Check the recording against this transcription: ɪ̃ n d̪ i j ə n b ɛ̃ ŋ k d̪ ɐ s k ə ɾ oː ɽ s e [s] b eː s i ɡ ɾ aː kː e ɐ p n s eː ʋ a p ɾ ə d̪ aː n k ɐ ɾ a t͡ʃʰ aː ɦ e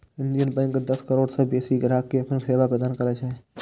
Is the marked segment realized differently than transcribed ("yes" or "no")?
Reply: yes